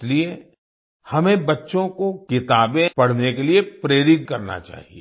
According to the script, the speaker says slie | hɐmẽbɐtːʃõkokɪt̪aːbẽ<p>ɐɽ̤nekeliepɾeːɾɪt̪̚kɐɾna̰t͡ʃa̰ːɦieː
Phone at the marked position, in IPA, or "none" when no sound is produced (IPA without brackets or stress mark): p